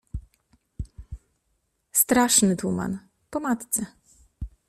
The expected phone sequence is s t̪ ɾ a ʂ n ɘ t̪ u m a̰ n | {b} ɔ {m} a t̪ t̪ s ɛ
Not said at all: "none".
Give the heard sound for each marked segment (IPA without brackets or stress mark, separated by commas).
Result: p, m